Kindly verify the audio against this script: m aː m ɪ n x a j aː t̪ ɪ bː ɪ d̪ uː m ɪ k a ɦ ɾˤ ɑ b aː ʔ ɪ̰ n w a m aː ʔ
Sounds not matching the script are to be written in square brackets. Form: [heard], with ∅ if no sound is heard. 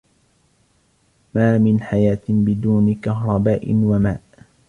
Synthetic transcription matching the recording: m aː m ɪ n [ħ] a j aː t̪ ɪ [b] ɪ d̪ uː [n] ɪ k a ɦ ɾˤ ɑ b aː ʔ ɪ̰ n w a m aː ʔ